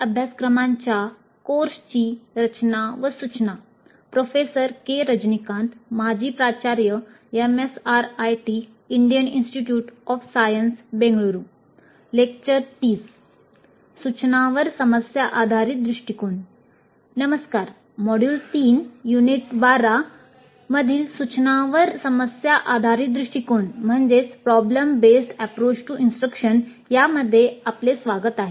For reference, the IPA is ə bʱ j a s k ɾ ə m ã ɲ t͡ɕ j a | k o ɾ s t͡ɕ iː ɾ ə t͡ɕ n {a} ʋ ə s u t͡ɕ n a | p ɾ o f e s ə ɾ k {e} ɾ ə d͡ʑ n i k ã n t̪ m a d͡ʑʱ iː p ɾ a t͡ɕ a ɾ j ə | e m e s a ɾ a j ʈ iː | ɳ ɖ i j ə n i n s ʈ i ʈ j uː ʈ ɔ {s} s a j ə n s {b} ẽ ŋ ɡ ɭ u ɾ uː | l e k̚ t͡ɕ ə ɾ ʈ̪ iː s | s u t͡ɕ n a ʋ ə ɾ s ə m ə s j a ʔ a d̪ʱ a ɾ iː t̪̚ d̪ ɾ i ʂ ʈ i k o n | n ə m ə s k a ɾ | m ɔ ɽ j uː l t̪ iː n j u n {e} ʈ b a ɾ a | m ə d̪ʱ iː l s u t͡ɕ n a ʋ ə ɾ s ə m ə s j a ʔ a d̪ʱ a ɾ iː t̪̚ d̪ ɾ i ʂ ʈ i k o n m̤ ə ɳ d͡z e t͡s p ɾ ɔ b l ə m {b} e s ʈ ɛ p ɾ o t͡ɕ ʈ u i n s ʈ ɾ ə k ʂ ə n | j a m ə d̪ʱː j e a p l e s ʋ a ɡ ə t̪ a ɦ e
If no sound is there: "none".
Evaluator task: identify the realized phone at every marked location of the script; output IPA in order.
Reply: a, e, f, b, i, b

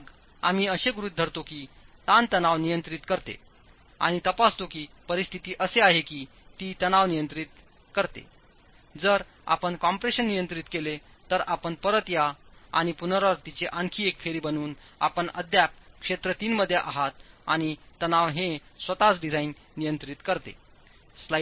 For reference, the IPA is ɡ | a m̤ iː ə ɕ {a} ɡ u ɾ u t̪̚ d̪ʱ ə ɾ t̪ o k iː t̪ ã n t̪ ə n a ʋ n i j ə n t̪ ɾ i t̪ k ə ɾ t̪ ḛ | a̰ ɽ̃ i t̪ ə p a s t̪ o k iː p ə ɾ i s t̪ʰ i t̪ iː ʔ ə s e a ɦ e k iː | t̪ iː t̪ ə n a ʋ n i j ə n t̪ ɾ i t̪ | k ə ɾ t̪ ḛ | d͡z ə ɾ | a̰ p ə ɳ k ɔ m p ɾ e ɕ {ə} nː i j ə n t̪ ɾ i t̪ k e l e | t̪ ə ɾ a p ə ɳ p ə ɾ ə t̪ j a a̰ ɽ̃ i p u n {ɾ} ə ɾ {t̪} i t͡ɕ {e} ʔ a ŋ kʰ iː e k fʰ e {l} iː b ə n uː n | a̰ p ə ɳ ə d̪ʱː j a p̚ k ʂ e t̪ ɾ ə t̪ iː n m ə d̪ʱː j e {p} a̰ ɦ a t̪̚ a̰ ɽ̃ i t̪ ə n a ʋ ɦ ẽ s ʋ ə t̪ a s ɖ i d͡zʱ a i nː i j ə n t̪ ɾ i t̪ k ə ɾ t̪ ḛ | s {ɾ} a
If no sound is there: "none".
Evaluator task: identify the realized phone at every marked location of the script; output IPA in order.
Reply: e, ə, ɾ, t̪, e, ɾ, ʔ, l

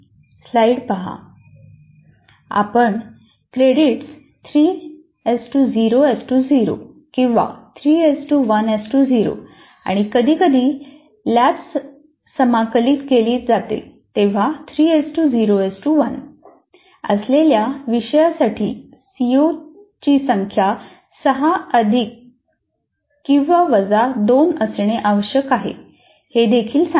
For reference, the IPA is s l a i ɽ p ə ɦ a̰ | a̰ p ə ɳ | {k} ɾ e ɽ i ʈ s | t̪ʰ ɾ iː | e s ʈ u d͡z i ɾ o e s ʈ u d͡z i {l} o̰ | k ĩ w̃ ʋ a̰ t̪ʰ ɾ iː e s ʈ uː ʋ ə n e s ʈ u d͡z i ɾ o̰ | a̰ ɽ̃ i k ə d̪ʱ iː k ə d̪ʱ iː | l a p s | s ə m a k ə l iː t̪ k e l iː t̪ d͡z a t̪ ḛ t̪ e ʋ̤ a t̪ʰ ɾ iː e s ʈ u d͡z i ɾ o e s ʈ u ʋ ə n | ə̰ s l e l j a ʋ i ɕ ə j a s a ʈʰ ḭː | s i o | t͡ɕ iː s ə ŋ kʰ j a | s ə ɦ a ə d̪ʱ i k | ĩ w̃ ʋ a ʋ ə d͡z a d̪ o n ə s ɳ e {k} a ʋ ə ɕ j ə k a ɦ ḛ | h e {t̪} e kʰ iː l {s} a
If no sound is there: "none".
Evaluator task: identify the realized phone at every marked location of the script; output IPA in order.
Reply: k, ɾ, ʔ, d̪, s

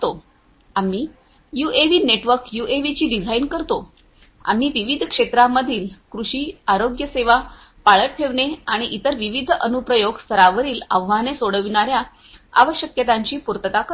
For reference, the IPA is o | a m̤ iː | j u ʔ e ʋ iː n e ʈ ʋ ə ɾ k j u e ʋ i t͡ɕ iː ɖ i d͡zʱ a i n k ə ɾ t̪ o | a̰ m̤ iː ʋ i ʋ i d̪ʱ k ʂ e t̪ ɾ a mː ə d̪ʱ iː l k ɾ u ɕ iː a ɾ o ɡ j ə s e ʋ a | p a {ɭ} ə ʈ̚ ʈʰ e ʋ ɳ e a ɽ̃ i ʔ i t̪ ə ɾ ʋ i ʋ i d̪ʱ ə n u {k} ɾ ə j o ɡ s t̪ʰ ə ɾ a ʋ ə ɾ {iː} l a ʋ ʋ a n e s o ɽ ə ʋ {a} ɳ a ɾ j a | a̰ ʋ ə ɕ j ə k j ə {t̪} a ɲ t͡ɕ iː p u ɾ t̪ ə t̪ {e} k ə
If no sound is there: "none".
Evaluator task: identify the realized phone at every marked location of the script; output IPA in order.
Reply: ɭ, p, iː, i, t̪, a

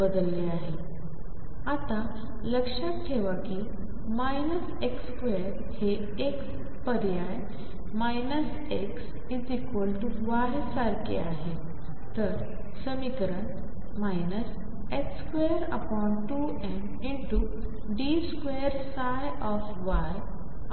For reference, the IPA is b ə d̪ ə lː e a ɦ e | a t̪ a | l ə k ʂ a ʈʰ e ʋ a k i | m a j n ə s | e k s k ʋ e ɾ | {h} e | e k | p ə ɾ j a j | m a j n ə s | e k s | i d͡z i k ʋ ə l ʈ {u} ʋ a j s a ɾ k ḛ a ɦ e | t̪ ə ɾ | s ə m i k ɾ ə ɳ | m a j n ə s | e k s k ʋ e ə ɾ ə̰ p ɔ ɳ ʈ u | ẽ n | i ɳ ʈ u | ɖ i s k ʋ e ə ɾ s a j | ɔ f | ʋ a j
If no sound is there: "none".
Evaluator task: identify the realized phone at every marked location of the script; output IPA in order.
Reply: h, u

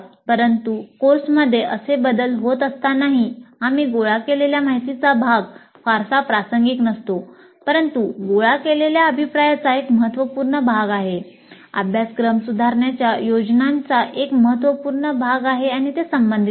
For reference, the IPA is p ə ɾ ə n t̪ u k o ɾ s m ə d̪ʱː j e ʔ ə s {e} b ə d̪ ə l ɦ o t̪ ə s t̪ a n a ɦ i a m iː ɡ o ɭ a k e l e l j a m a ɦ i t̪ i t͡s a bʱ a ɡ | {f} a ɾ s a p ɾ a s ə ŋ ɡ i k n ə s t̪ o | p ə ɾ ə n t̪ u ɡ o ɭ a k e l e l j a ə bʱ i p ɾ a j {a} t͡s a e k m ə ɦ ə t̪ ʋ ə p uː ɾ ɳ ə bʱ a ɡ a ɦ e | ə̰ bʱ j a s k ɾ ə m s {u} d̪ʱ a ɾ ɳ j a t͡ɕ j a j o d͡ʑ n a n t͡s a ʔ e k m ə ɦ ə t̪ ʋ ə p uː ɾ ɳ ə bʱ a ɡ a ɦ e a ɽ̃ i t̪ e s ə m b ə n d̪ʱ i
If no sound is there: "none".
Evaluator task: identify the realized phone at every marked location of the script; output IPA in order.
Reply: e, f, a, u

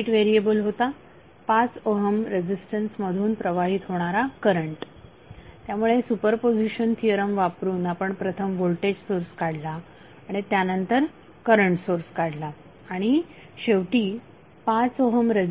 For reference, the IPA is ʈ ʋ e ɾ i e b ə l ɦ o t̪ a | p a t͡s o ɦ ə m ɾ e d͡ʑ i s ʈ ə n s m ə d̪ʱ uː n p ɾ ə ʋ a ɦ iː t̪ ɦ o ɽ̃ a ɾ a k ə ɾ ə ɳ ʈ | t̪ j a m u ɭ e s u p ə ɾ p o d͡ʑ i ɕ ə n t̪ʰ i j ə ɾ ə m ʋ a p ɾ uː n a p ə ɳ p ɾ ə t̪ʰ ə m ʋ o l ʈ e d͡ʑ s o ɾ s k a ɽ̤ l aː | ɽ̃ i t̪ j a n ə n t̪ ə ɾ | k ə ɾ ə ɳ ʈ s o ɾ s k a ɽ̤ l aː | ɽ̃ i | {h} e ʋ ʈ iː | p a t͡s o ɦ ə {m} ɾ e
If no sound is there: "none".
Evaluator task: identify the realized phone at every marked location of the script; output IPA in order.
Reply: ɕ, m

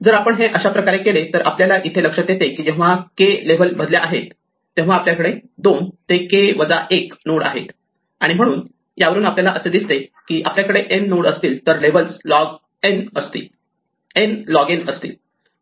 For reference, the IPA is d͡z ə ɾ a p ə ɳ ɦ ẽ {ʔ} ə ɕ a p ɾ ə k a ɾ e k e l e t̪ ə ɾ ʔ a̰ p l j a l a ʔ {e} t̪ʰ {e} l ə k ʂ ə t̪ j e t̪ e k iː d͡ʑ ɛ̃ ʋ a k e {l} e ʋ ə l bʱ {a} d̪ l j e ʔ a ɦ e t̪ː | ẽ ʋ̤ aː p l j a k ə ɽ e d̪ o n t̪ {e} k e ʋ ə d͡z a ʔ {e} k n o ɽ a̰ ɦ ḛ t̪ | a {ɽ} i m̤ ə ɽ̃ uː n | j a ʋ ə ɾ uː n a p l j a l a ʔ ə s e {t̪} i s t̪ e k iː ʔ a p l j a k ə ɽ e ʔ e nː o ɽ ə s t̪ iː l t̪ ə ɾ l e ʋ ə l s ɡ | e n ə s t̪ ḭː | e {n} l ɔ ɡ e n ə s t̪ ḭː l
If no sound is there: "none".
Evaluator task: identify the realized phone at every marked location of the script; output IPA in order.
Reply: ʔ, i, e, l, ə, e, e, ɽ, d̪, n

